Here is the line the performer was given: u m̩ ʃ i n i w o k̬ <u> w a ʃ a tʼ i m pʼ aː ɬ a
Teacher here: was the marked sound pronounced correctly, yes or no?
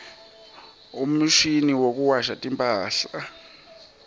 yes